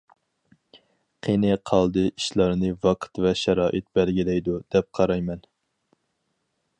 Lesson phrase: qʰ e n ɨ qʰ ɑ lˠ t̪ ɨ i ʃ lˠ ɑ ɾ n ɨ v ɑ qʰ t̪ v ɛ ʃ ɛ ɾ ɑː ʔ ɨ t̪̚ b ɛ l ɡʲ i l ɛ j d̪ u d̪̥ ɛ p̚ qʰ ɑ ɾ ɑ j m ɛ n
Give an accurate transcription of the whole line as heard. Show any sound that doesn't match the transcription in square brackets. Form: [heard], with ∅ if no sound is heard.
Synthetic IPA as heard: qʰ e n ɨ qʰ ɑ lˠ [d̪] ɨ i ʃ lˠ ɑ ɾ n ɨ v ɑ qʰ t̪ v ɛ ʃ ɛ ɾ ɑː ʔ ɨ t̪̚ b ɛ l ɡʲ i l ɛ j d̪ u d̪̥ ɛ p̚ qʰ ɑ ɾ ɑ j m ɛ n